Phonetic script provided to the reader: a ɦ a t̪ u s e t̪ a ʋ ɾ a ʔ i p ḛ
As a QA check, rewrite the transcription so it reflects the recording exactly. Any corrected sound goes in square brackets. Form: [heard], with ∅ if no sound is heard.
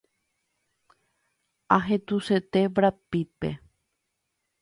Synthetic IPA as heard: a ɦ [e] t̪ u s e t̪ [e] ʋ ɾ a [p] i p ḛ